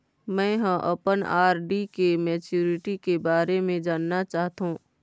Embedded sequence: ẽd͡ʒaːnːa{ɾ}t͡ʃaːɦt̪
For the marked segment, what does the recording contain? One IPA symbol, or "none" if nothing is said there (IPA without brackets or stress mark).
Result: none